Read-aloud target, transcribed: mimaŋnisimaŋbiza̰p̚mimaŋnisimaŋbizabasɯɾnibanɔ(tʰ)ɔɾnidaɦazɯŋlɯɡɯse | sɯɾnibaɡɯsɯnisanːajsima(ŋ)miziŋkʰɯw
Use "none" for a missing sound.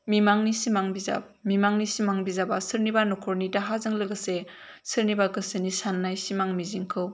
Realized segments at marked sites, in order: kʰ, ŋ

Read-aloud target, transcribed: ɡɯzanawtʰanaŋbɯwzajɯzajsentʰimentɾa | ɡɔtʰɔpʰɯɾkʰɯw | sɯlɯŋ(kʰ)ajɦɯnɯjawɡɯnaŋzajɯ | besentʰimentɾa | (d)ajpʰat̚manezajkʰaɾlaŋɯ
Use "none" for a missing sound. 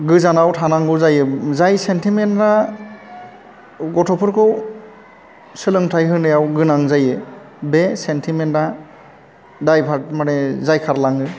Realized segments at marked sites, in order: tʰ, d

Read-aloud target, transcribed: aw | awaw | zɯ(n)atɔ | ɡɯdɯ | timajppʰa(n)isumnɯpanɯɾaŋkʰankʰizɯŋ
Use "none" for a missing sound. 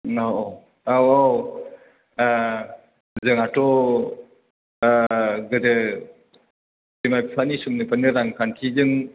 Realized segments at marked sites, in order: ŋ, n

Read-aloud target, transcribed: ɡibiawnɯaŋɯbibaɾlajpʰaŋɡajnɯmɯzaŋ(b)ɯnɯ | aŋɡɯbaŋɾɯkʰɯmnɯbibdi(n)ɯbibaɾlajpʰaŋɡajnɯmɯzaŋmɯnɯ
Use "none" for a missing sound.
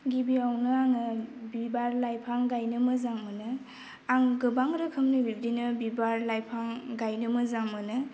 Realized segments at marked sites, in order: m, n

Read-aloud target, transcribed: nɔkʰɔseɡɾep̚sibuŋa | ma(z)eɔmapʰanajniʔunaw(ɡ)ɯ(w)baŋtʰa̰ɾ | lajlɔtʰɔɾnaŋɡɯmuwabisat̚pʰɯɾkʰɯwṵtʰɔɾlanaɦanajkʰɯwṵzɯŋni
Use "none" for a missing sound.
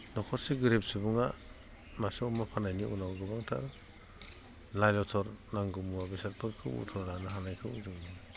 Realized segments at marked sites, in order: s, ɡ, none

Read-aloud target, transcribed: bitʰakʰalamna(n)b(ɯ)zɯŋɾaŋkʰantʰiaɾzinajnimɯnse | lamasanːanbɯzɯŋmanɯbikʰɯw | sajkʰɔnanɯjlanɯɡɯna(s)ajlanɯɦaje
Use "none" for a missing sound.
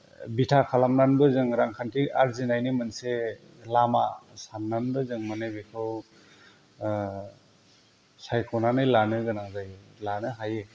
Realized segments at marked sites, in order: n, ɯ, z

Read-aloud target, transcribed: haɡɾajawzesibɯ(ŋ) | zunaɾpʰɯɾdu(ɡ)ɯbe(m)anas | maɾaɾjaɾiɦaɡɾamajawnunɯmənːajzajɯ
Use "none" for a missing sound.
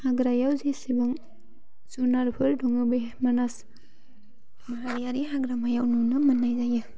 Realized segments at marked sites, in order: ŋ, ŋ, m

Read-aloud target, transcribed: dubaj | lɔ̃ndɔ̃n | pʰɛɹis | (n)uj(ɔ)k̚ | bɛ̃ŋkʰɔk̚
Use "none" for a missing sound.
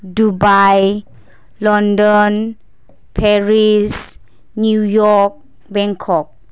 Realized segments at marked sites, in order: n, ɔ

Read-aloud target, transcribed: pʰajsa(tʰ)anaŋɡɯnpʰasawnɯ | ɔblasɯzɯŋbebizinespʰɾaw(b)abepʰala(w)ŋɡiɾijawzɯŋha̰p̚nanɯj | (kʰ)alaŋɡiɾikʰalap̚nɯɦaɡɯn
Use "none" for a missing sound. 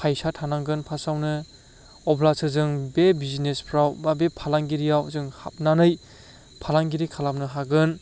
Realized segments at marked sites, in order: tʰ, b, none, pʰ

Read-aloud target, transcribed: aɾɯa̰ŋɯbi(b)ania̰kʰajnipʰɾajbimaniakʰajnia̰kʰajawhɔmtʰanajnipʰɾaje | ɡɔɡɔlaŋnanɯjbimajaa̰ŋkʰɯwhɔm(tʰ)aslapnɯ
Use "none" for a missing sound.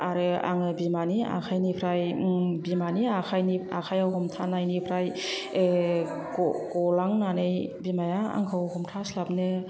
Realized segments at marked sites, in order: m, tʰ

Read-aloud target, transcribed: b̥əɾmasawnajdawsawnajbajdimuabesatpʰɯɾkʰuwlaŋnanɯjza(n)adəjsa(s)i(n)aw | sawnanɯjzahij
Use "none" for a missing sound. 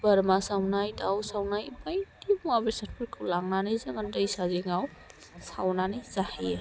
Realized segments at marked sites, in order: ŋ, z, ŋ

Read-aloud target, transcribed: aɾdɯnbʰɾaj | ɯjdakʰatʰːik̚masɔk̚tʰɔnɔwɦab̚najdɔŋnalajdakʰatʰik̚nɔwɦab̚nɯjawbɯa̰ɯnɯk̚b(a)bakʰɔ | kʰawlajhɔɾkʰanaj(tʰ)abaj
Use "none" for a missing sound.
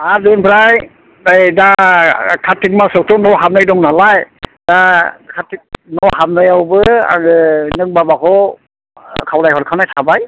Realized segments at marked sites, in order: a, tʰ

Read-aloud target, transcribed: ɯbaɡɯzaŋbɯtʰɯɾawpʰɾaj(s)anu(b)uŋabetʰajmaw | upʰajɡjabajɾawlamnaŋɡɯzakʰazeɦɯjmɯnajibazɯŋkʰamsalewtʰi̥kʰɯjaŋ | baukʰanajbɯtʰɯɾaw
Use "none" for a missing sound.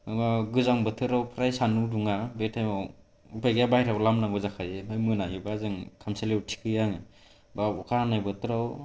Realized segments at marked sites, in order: s, d

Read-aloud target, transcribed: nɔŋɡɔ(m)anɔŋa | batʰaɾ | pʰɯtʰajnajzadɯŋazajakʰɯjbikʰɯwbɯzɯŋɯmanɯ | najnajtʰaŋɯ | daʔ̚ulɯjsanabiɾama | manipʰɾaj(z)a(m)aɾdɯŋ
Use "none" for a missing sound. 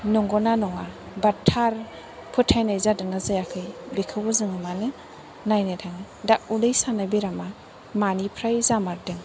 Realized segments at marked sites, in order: n, z, m

